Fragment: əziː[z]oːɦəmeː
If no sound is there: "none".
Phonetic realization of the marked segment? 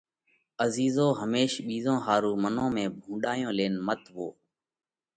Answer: z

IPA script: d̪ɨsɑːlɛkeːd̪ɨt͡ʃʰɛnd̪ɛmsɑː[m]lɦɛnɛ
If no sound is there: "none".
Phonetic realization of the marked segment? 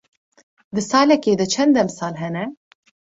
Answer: none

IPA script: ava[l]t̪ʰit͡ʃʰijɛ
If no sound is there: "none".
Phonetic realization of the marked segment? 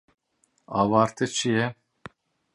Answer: ɾ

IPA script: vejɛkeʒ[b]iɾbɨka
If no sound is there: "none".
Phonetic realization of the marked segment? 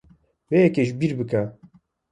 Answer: b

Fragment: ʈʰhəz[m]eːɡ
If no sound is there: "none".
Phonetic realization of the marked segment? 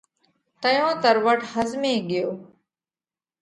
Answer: m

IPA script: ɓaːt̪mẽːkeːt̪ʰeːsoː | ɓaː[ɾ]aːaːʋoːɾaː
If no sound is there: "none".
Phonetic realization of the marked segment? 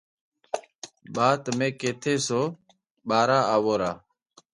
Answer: ɾ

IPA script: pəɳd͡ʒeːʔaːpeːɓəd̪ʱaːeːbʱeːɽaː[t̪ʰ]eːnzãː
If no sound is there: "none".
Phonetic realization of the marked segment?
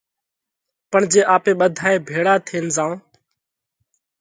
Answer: t̪ʰ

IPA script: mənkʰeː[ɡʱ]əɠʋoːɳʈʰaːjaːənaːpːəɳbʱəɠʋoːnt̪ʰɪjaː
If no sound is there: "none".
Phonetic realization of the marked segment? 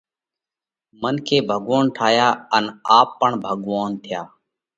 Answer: bʱ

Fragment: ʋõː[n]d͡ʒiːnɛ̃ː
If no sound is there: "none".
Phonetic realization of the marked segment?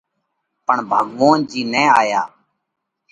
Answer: n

